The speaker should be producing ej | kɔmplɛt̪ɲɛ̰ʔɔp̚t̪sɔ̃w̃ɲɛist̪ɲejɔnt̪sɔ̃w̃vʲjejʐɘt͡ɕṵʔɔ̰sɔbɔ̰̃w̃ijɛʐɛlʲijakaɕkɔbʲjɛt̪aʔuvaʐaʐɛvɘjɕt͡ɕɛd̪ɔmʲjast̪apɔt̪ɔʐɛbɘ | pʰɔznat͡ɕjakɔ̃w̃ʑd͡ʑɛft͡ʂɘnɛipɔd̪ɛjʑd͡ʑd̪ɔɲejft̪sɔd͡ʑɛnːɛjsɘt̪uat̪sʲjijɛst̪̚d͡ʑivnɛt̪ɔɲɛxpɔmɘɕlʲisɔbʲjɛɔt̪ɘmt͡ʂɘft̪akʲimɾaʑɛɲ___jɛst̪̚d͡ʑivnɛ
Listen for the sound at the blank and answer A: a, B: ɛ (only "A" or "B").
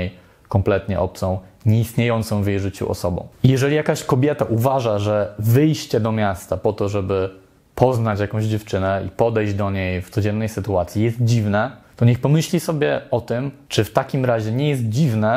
B